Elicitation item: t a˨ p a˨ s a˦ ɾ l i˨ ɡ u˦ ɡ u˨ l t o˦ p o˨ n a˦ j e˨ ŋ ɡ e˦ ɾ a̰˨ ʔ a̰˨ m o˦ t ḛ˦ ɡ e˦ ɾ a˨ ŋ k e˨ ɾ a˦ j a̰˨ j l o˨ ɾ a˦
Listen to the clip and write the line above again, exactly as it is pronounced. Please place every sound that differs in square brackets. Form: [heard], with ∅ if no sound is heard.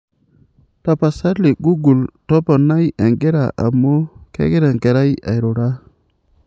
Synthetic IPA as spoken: t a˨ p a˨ s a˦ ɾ l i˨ ɡ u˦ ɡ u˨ l t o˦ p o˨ n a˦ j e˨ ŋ ɡ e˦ ɾ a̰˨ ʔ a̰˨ m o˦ [k] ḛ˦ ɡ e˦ ɾ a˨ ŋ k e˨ ɾ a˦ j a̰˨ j [ɾ] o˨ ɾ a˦

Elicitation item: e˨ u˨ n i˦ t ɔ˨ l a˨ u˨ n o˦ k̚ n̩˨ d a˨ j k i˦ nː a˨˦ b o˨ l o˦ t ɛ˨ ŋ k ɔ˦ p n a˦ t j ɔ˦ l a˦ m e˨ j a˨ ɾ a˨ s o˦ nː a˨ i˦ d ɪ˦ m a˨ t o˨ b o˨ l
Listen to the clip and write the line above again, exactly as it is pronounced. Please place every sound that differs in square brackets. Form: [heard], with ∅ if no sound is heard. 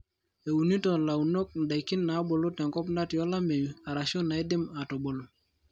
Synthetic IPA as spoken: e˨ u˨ n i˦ t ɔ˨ l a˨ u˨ n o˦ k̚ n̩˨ d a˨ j k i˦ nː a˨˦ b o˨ l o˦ t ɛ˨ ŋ k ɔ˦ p n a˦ t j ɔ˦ l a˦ m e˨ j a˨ ɾ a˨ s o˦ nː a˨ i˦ d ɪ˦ m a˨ t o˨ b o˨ l

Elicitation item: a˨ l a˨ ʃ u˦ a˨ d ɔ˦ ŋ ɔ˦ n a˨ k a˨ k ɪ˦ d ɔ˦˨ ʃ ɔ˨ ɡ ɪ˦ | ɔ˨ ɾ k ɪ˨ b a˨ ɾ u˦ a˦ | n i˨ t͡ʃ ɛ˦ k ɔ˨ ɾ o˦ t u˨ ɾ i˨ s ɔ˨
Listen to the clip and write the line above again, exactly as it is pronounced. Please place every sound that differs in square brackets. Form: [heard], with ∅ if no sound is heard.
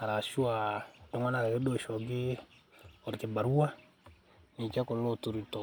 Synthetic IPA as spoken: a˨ [ɾ] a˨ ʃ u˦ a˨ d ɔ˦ ŋ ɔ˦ n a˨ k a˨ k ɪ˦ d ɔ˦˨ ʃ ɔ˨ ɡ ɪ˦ | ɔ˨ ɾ k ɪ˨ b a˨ ɾ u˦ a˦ | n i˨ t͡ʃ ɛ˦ k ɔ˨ [l] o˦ t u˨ ɾ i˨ [t] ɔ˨

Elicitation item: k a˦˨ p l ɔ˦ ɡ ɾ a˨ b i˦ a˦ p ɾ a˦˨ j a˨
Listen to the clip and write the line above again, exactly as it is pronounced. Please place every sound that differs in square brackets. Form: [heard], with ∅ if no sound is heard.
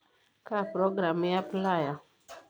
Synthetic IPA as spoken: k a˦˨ p [ɾ] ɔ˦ ɡ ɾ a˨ [m] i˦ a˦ p [l] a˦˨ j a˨

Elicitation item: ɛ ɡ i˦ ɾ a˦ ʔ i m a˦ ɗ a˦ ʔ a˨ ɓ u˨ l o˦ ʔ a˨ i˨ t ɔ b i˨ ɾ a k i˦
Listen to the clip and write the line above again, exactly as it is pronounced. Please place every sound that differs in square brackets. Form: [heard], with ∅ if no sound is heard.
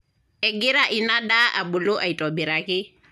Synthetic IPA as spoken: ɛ ɡ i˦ ɾ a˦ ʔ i [n] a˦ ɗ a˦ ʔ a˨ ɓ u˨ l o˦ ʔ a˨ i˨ t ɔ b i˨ ɾ a k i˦

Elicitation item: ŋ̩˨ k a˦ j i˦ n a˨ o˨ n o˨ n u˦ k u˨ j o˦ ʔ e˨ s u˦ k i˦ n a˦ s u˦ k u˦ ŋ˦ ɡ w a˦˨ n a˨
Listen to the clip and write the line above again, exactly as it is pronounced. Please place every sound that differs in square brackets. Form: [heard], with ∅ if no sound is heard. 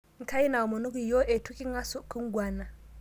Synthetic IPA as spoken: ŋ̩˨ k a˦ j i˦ n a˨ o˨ [m] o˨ n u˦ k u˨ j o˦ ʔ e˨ [t] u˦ k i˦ [ŋ] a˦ s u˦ k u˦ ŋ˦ ɡ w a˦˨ n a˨

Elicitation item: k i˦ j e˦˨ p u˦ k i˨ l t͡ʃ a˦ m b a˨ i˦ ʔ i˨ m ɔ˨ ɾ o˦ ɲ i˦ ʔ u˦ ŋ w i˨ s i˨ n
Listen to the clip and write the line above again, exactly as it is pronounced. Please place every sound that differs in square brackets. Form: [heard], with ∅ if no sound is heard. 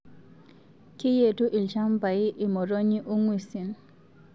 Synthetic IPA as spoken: k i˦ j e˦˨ [t] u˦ [ʔ] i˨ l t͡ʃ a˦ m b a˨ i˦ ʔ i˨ m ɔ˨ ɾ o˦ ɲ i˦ ʔ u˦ ŋ w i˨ s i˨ n

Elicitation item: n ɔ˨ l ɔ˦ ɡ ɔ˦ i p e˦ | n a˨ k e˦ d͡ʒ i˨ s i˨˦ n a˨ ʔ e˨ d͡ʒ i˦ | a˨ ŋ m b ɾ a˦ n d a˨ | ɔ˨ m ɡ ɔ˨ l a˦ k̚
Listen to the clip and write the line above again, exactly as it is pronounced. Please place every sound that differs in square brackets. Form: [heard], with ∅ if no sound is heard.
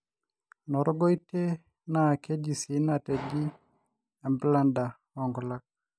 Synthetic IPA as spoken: n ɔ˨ [ɾ] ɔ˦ ɡ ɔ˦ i [t] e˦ | n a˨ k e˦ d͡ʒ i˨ s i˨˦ n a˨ [t] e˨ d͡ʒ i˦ | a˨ [∅] m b [l] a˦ n d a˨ | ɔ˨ [ŋ] ɡ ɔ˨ l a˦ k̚

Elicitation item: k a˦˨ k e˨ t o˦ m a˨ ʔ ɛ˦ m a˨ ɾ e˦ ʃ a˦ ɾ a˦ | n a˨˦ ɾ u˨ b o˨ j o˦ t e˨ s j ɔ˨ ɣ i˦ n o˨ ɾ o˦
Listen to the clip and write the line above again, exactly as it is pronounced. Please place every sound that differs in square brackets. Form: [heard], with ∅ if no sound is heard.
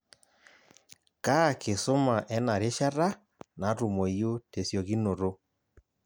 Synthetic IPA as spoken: k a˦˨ k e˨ [s] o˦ m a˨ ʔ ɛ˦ [n] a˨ ɾ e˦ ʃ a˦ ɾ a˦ | n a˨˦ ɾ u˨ [m] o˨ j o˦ t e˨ s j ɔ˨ ɣ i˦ n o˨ ɾ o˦

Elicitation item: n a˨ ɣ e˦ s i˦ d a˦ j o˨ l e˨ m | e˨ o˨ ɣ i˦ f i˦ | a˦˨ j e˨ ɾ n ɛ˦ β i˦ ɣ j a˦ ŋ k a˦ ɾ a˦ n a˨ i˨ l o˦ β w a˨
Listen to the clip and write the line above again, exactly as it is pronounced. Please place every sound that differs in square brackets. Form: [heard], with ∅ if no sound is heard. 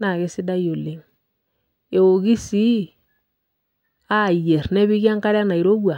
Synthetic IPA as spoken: n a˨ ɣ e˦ s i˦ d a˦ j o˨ l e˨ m | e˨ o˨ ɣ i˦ [s] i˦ | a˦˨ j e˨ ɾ n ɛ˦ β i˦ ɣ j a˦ ŋ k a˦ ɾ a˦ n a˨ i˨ [ɾ] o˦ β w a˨

